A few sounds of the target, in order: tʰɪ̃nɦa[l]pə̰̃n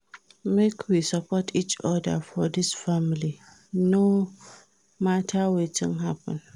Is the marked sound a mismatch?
yes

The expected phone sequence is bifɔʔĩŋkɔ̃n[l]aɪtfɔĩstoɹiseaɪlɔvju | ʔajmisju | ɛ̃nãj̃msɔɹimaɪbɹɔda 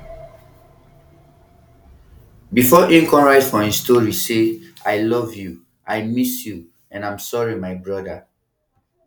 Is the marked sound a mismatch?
yes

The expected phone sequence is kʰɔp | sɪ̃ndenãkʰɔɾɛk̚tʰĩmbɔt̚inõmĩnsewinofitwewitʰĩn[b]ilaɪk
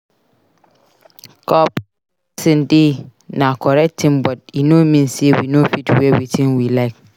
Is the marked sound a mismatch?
yes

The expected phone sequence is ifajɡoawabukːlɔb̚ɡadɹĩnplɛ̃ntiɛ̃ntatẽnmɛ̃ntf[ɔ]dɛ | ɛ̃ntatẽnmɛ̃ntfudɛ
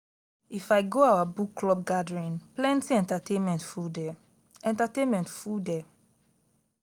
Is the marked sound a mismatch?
yes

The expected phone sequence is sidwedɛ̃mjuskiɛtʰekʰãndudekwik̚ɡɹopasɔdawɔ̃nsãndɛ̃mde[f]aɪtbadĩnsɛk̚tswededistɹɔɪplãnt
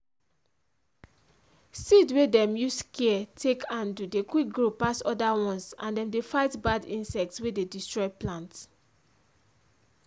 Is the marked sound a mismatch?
no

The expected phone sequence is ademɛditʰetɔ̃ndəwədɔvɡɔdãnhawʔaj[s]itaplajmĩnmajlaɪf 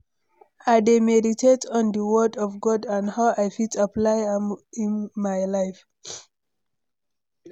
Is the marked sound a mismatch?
yes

